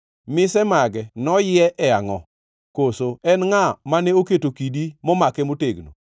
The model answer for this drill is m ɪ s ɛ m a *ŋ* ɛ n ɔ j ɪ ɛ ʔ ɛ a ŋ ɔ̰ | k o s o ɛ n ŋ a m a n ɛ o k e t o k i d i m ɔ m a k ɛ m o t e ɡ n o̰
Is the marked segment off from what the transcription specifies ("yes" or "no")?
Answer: yes